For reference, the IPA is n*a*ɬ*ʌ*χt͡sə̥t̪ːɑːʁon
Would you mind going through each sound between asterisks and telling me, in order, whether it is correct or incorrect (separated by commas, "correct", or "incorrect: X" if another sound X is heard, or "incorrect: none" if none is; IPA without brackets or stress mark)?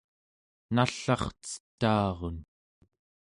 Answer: correct, incorrect: ɑ